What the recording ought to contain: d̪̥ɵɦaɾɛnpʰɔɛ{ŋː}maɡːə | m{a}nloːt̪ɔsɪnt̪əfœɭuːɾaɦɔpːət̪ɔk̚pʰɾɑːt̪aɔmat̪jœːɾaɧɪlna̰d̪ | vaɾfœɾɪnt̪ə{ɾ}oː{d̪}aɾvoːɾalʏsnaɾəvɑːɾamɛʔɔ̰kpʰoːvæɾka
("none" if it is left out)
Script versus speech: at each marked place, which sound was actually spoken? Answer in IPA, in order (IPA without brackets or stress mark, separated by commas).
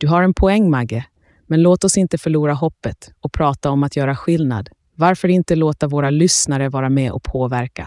ŋː, ɛ, l, t̪